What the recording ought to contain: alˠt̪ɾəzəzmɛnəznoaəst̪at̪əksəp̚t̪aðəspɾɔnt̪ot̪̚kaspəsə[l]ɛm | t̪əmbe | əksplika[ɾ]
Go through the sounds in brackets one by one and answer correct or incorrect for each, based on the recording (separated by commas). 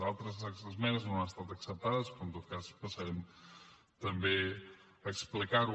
incorrect, correct